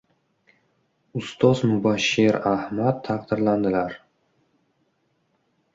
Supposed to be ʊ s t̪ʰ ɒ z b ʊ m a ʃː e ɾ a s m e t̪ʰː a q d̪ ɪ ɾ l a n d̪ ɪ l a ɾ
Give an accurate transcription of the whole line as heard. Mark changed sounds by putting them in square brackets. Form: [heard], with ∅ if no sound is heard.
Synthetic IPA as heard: ʊ s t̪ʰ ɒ z [m] ʊ [b] a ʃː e ɾ a [h] m [a] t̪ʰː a q d̪ ɪ ɾ l a n d̪ ɪ l a ɾ